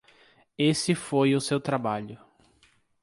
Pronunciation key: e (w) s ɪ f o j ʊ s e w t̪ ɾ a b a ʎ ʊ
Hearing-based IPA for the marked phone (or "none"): none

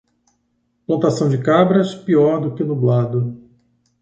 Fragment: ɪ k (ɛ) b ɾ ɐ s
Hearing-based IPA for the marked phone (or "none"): a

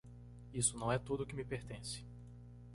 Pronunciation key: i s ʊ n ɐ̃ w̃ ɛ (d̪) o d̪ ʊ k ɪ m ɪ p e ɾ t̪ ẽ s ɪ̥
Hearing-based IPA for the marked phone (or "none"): t̪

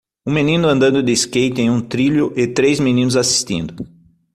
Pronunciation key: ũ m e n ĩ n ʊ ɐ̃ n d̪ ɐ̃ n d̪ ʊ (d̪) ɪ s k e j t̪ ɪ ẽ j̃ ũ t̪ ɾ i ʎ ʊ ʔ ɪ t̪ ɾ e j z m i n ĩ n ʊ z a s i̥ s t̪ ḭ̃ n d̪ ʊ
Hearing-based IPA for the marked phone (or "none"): d̪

